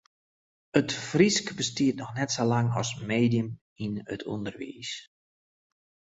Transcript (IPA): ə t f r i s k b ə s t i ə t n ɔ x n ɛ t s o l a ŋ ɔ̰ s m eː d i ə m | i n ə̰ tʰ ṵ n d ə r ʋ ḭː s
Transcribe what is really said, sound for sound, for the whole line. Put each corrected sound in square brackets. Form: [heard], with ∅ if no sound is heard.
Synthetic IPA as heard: ə t f r i s k b ə s t i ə t n ɔ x n ɛ t s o l a ŋ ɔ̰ s m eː d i ə m | i n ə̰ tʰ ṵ n d ə r ʋ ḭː s